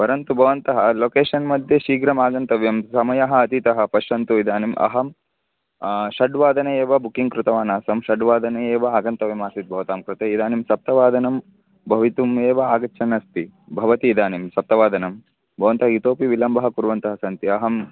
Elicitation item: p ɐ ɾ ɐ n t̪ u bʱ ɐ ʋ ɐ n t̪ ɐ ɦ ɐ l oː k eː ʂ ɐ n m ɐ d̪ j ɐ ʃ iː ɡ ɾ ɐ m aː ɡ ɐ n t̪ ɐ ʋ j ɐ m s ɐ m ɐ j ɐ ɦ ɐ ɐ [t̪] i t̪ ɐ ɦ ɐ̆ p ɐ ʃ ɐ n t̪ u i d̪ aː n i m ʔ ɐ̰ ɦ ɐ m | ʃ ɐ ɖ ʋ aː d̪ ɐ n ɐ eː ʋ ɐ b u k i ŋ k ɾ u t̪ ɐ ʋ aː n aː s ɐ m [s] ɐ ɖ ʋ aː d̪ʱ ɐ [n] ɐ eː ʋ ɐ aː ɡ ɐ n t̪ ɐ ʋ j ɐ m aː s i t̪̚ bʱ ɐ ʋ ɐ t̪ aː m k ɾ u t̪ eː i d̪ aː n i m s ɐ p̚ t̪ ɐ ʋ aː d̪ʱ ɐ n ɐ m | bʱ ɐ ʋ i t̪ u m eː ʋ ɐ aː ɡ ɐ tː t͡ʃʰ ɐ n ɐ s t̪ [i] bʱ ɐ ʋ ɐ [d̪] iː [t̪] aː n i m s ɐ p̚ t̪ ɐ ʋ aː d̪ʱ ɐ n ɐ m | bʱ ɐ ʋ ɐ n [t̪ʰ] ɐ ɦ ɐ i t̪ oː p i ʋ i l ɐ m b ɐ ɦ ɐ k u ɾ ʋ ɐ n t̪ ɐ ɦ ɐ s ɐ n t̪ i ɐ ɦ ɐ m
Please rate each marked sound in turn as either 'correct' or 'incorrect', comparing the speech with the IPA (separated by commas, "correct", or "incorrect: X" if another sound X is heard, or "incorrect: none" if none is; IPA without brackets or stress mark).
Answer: correct, incorrect: ʃ, correct, correct, incorrect: t̪, incorrect: d̪, incorrect: t̪